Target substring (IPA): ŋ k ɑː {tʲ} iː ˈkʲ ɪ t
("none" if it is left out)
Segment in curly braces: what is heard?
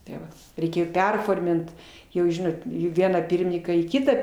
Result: none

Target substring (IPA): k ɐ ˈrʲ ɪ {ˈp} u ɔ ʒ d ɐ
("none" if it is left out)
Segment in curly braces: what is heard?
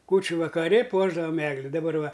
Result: p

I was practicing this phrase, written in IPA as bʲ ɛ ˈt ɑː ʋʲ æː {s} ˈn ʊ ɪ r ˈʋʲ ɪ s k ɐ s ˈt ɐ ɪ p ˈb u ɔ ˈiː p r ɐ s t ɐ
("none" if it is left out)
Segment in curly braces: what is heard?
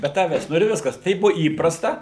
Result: s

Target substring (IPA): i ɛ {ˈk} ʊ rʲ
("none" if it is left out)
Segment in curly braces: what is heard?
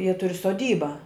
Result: t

